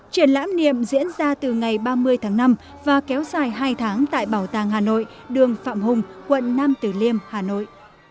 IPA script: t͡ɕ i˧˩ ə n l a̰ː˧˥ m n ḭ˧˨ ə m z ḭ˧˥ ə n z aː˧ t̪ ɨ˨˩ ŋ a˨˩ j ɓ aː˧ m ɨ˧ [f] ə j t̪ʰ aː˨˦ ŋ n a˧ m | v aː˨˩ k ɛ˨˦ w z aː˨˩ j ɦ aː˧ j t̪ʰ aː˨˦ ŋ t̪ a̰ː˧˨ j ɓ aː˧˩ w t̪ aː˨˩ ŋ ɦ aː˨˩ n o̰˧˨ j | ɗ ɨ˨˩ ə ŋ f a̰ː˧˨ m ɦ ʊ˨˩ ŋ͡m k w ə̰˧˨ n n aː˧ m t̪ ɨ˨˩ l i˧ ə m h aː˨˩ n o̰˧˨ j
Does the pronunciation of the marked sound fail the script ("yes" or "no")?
yes